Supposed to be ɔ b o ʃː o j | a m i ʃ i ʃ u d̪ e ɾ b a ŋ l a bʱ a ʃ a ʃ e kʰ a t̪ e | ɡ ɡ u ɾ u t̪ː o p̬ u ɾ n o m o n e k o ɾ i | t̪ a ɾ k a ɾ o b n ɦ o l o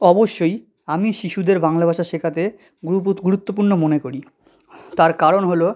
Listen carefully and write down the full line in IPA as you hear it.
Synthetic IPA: ɔ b o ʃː o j | a m i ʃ i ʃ u d̪ e ɾ b a ŋ l a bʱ a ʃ a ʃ e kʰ a t̪ e | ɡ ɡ u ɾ u t̪ː o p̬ u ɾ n o m o n e k o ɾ i | t̪ a ɾ k a ɾ o n ɦ o l o

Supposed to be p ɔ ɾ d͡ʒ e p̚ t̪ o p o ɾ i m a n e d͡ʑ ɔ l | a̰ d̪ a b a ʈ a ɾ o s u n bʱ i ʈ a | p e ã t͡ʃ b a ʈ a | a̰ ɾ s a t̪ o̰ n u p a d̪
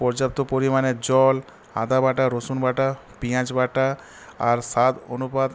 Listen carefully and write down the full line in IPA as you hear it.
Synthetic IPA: p ɔ ɾ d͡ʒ a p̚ t̪ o p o ɾ i m a n e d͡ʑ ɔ l | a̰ d̪ a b a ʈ a ɾ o s u n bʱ a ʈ a | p i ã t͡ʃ b a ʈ a | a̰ ɾ s a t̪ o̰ n u p a d̪

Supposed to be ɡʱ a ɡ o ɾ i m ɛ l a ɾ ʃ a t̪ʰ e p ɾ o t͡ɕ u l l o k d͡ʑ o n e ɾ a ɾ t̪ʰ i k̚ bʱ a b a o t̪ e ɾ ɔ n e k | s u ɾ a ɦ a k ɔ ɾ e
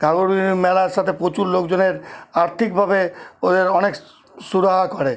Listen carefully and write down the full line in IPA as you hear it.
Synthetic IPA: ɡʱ a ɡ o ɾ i m ɛ l a ɾ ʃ a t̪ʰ e p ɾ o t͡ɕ u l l o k d͡ʑ o n e ɾ a ɾ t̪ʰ i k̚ bʱ a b e o d̪ e ɾ ɔ n e k | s u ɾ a ɦ a k ɔ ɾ e

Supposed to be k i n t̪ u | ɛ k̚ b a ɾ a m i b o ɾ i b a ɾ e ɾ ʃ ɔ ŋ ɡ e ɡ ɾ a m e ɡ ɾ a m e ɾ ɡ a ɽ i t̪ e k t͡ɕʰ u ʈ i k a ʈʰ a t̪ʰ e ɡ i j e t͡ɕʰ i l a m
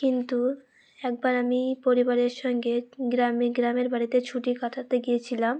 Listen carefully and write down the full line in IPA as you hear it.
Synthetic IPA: k i n t̪ u | ɛ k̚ b a ɾ a m i p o ɾ i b a ɾ e ɾ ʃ ɔ ŋ ɡ e ɡ ɾ a m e ɡ ɾ a m e ɾ b a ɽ i t̪ e t͡ɕʰ u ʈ i k a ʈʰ a t̪ e ɡ i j e t͡ɕʰ i l a m

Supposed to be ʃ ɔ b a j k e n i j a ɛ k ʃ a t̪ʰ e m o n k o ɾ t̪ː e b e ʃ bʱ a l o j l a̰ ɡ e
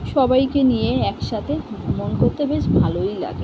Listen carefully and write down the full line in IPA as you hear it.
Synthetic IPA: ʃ ɔ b a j k e n i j e ɛ k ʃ a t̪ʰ e m o n k o ɾ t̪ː e b e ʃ bʱ a l o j l a̰ ɡ e

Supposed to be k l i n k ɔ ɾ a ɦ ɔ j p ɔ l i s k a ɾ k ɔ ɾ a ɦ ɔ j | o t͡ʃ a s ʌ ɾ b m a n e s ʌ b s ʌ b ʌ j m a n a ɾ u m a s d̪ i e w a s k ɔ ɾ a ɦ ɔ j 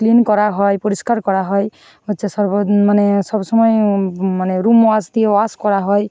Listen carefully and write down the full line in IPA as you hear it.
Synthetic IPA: k l i n k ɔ ɾ a ɦ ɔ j p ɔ ɾ i s k a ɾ k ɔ ɾ a ɦ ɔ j | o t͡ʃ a s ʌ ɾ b m a n e s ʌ b s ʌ m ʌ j m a n e ɾ u m a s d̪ i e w a s k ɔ ɾ a ɦ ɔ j

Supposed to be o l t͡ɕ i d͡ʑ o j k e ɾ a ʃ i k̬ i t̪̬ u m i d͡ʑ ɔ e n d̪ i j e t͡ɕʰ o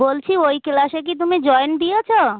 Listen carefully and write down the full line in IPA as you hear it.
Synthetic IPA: o l t͡ɕʰ i o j k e l a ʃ e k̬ i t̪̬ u m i d͡ʑ ɔ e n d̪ i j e t͡ɕʰ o

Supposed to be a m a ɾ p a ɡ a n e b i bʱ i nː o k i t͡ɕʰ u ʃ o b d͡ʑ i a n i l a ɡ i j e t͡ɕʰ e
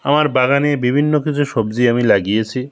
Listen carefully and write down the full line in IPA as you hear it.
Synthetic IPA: a m a ɾ b a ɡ a n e b i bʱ i nː o k i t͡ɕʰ u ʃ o b d͡ʑ i a m i l a ɡ i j e t͡ɕʰ i

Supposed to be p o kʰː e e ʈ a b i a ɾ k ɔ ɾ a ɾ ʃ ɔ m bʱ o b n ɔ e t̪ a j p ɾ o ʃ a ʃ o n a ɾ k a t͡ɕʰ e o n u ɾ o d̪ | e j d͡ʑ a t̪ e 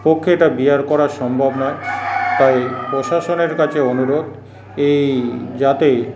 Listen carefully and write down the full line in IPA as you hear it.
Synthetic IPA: p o kʰː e e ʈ a b i a ɾ k ɔ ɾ a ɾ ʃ ɔ m bʱ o b n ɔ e t̪ a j p ɾ o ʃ a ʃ o n e ɾ k a t͡ɕʰ e o n u ɾ o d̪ | e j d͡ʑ a t̪ e

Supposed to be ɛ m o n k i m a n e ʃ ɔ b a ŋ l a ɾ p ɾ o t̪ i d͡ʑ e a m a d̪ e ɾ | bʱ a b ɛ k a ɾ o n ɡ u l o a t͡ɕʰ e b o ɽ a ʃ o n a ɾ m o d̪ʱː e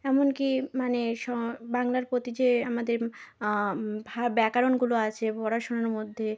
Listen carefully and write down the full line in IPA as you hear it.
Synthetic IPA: ɛ m o n k i m a n e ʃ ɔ b a ŋ l a ɾ p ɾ o t̪ i d͡ʑ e a m a d̪ e ɾ | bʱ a b ɛ k a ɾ o n ɡ u l o a t͡ɕʰ e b ɔ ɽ a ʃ o n a ɾ m o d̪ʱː e

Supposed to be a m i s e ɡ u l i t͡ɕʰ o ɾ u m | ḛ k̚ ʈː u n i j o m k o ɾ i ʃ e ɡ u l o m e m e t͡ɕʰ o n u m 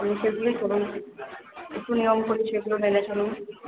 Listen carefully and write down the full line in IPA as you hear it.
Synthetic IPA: a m i ʃ e ɡ u l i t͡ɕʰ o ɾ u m | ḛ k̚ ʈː u n i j o m k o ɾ i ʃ e ɡ u l o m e n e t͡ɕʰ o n u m

